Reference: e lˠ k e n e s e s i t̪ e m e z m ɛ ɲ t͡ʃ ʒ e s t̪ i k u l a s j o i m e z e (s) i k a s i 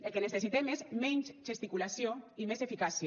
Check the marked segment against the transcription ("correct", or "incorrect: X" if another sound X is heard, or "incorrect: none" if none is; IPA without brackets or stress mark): incorrect: f